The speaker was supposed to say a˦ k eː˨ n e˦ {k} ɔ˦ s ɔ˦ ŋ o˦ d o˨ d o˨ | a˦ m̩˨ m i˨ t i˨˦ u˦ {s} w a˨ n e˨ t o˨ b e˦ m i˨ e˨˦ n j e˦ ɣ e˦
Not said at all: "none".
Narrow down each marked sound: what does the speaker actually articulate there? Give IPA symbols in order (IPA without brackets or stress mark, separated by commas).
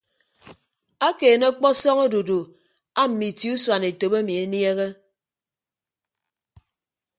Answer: k͡p, s